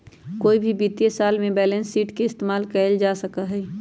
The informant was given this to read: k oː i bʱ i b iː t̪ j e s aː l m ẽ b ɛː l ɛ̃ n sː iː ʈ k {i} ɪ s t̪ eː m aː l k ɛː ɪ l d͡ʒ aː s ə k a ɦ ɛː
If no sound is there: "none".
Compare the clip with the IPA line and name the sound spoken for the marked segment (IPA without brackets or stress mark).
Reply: e